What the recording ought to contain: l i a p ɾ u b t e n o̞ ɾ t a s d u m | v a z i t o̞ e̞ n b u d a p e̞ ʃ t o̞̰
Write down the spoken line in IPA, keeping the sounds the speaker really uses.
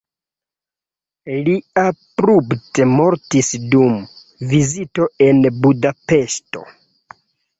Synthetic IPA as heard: l i a p ɾ u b t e m o̞ ɾ t i s d u m | v i z i t o̞ e̞ n b u d a p e̞ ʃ t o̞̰